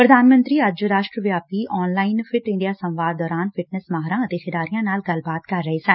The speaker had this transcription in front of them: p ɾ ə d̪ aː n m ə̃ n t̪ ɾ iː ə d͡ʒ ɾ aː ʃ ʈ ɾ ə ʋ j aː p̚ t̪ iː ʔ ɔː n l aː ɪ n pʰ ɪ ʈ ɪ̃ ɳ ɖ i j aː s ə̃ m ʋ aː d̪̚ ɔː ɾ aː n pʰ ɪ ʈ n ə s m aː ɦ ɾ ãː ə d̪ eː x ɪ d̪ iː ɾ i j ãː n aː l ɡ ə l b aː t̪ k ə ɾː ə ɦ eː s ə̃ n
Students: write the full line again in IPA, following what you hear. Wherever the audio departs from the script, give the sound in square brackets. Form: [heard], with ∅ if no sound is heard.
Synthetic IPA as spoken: p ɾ ə d̪ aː n m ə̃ n t̪ ɾ iː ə d͡ʒ ɾ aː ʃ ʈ ɾ ə ʋ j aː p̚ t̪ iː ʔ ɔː n l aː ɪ n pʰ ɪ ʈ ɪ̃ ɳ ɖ i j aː s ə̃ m ʋ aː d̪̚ ɔː ɾ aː n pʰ ɪ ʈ n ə s m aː ɦ ɾ ãː ə [t̪] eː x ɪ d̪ [aː] ɾ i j ãː n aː l ɡ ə l b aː t̪ k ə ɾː ə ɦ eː s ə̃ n